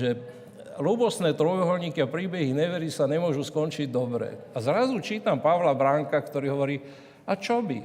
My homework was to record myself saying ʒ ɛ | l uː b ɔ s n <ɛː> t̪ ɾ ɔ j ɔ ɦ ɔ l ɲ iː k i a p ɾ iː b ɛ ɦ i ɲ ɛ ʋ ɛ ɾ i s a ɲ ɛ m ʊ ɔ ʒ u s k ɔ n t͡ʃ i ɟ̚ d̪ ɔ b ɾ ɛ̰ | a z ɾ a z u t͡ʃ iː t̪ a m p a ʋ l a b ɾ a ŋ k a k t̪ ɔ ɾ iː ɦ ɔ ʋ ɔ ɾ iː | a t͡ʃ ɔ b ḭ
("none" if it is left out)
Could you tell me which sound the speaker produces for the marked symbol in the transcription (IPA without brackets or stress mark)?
ɛː